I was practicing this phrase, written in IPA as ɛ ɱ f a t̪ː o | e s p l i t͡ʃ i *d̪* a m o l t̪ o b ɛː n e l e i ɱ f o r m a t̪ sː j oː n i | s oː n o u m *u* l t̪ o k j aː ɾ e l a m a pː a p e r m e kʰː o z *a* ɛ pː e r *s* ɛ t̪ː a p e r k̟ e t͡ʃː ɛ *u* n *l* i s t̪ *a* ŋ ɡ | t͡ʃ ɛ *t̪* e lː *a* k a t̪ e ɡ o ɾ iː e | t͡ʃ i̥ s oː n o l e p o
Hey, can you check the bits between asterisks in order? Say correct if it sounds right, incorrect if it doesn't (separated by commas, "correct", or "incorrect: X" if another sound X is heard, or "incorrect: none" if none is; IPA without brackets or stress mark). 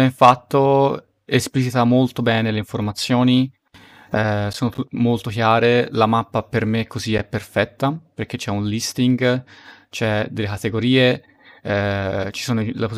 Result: incorrect: t̪, incorrect: o, incorrect: i, incorrect: f, correct, correct, incorrect: i, incorrect: d̪, incorrect: e